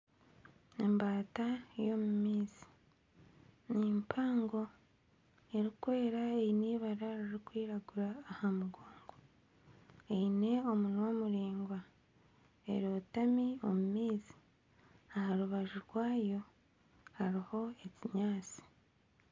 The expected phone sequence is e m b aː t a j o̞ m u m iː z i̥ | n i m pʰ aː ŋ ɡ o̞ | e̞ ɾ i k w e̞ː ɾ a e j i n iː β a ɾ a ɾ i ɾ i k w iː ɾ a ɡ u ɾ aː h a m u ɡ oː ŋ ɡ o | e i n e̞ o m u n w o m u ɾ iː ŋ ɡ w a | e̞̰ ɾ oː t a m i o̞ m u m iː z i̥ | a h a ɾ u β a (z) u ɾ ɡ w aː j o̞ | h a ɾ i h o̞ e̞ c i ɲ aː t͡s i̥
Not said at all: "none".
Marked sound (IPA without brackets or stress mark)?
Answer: ʒ